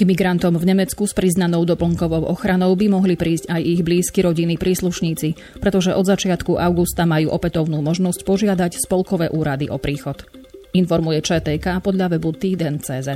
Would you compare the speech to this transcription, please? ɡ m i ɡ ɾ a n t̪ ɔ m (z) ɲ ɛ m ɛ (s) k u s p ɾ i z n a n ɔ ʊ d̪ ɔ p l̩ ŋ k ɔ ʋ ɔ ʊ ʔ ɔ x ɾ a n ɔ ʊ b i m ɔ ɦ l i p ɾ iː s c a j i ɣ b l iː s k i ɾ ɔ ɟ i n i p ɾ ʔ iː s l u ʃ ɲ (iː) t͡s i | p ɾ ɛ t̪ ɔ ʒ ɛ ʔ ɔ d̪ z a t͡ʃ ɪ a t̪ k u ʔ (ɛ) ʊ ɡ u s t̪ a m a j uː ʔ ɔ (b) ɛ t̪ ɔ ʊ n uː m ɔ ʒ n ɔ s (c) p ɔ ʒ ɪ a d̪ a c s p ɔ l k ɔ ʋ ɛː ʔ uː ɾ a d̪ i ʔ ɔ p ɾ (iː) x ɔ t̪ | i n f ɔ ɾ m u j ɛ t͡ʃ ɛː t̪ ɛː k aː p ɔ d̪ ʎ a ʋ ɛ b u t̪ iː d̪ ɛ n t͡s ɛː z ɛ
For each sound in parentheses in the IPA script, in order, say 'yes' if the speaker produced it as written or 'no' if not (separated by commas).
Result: no, no, yes, no, no, yes, yes